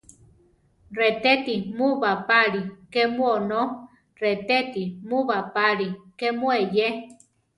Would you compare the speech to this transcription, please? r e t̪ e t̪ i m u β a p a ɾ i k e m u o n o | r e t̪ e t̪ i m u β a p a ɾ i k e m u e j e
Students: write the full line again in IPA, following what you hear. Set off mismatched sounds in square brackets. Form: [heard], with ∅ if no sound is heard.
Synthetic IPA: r e t̪ e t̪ i m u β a p a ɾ i k e m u o n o | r e t̪ e t̪ i m u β a p a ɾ i k e m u e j e